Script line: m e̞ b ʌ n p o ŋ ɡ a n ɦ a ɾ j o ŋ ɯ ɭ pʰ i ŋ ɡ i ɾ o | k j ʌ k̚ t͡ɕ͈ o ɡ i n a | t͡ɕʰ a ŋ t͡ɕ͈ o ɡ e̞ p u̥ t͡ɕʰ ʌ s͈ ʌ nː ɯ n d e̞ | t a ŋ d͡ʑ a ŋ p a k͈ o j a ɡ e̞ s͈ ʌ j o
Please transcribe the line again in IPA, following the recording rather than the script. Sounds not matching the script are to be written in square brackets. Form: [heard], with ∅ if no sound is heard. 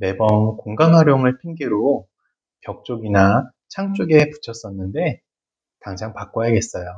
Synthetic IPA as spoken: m e̞ b ʌ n [k] o ŋ ɡ a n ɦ a ɾ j o ŋ ɯ ɭ pʰ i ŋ ɡ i ɾ o | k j ʌ k̚ t͡ɕ͈ o ɡ i n a | t͡ɕʰ a ŋ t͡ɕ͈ o ɡ e̞ p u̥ t͡ɕʰ ʌ s͈ ʌ nː ɯ n d e̞ | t a ŋ d͡ʑ a ŋ p a k͈ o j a ɡ e̞ s͈ ʌ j o